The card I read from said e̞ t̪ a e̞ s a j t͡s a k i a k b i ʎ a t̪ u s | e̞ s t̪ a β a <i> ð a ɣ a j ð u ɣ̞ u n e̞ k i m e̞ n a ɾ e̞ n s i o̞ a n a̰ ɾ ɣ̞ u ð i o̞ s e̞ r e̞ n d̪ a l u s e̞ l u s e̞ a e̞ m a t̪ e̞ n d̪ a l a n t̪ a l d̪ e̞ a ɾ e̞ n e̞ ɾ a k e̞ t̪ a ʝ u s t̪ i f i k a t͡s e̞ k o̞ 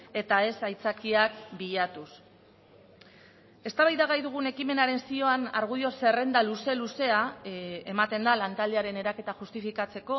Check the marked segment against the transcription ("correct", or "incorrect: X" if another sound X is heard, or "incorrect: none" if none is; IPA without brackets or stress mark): incorrect: j